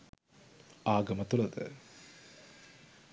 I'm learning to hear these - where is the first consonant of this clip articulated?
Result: velum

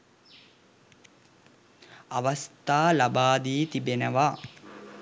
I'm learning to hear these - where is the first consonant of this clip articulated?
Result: lips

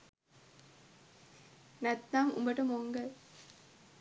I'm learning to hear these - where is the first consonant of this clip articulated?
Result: tongue tip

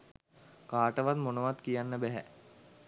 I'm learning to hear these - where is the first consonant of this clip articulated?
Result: velum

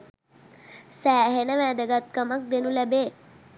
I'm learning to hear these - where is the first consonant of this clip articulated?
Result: tongue tip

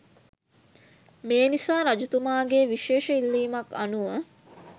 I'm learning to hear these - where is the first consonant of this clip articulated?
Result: lips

